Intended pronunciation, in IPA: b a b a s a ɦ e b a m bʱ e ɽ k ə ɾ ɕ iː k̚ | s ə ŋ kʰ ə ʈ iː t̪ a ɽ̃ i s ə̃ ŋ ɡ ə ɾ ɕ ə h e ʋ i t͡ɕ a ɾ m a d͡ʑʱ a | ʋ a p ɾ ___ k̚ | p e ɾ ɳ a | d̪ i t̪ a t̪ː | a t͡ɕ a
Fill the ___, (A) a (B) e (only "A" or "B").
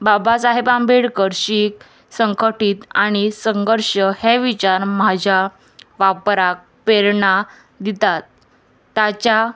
A